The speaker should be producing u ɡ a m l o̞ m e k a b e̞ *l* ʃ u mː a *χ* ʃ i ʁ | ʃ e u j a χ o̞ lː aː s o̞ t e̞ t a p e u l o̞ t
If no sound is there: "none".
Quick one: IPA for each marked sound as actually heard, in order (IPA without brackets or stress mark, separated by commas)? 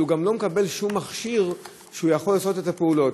l, χ